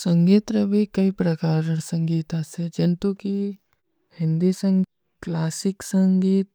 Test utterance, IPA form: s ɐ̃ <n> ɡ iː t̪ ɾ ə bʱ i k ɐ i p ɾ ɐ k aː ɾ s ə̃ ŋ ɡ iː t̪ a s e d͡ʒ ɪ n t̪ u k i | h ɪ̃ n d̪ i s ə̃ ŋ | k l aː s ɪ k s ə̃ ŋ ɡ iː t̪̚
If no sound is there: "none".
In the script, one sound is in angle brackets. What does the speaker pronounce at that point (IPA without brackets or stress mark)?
ŋ